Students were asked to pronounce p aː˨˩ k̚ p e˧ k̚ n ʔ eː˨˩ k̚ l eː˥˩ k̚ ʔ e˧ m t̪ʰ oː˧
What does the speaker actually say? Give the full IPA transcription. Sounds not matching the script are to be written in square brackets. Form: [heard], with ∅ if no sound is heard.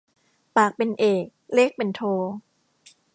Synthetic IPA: p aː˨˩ k̚ p e˧ [∅] n ʔ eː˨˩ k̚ l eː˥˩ k̚ [p] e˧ [n] t̪ʰ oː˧

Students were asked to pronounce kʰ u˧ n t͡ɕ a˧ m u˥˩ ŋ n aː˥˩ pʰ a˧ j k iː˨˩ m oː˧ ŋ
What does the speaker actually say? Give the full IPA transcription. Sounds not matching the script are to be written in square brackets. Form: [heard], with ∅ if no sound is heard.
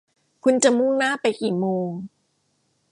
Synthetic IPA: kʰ u˧ n t͡ɕ [a˨˩] m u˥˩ ŋ n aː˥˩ [p] a˧ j k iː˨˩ m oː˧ ŋ

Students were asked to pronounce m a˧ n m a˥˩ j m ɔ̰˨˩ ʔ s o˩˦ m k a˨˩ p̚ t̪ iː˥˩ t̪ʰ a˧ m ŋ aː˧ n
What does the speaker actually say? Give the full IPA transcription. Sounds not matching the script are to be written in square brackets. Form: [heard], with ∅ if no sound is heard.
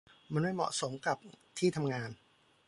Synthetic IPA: m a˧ n m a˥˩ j m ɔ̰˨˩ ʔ s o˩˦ m k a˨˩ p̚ [t̪ʰ] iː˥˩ t̪ʰ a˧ m ŋ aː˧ n

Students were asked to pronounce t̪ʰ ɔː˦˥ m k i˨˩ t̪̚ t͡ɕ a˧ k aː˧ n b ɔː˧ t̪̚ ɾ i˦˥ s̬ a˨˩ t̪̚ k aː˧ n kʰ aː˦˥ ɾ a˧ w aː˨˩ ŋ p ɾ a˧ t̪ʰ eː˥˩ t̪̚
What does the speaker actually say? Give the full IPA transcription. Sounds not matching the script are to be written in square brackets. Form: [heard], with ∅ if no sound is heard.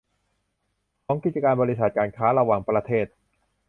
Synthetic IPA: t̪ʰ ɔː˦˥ [ŋ] k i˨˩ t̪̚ t͡ɕ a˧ k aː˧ n b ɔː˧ [∅] ɾ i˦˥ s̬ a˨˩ t̪̚ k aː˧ n kʰ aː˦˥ ɾ a˧ w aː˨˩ ŋ p ɾ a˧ t̪ʰ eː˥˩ t̪̚

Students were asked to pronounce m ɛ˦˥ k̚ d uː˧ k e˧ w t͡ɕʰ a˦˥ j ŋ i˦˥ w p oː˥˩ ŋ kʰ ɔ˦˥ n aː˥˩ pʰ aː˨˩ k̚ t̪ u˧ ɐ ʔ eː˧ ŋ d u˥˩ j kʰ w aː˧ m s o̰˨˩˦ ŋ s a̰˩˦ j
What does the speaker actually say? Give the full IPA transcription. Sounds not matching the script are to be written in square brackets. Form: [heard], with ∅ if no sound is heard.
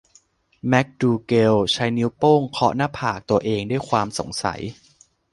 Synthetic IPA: m ɛ˦˥ k̚ d uː˧ k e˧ w t͡ɕʰ a˦˥ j [n] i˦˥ w p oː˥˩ ŋ kʰ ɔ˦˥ n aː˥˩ pʰ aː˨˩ k̚ t̪ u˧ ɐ ʔ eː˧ ŋ d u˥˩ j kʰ w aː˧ m s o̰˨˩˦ ŋ s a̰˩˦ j

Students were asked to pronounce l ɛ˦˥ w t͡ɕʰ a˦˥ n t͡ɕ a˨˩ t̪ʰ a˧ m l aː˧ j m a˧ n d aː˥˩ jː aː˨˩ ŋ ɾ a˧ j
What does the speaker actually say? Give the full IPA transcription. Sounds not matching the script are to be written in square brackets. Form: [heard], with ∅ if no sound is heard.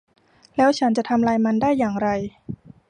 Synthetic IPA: l [ɛː˦˥] w t͡ɕʰ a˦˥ n t͡ɕ a˨˩ t̪ʰ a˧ m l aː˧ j m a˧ n d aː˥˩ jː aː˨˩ ŋ ɾ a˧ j

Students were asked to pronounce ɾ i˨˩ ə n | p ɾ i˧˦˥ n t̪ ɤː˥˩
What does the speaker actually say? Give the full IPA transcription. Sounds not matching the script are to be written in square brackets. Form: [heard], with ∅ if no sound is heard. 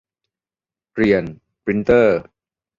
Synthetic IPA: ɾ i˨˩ ə n | p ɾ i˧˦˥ n t̪ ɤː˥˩

